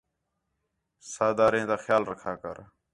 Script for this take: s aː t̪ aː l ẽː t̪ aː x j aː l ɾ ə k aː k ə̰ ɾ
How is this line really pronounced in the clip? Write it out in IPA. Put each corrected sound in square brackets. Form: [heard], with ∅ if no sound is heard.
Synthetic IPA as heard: s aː [d̪] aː [ɾ] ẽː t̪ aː x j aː l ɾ ə [kʰ] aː k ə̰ ɾ